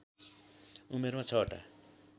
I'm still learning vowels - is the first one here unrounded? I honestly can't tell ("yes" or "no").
no